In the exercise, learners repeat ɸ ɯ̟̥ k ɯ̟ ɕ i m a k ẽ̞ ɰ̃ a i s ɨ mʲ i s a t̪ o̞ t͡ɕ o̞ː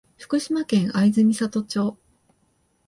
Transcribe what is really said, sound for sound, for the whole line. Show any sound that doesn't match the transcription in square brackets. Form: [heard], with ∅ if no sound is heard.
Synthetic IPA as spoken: ɸ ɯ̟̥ k ɯ̟ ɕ i m a k ẽ̞ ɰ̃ a i [z] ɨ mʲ i s a t̪ o̞ t͡ɕ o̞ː